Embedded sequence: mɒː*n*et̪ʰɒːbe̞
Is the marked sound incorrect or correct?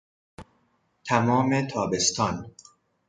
incorrect: m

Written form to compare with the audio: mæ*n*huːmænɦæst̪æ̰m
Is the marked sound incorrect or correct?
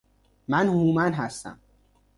correct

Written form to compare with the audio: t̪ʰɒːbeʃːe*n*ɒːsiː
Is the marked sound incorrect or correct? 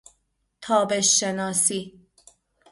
correct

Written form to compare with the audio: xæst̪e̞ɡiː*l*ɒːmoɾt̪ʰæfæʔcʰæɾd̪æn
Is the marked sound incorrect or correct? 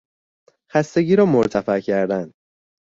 incorrect: ɾ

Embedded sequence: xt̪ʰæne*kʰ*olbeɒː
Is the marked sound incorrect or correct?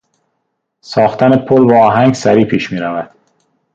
incorrect: pʰ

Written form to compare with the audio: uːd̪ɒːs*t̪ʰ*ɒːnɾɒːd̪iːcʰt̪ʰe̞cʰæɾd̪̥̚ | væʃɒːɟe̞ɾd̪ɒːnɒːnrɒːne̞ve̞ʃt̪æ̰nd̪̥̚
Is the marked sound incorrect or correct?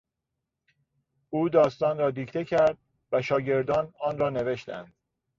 incorrect: t̪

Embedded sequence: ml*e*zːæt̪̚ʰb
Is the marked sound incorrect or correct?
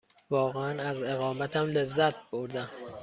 correct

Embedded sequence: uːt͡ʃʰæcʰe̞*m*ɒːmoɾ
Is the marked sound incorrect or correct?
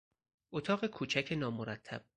incorrect: n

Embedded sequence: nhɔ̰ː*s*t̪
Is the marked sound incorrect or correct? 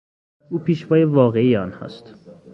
correct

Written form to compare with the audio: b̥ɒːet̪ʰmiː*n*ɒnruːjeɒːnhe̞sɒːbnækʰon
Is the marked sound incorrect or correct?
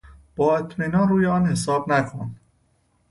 correct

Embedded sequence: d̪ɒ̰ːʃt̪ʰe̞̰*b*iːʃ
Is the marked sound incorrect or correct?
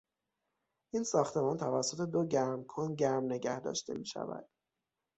incorrect: m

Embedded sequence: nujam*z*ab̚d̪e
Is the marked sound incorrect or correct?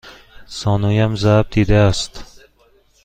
correct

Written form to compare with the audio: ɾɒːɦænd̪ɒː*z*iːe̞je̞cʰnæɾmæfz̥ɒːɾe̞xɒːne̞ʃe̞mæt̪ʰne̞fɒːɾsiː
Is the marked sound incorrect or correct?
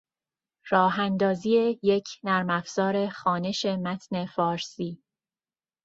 correct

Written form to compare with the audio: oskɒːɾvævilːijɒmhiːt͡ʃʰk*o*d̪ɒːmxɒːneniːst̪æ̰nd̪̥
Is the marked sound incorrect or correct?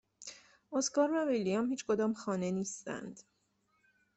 correct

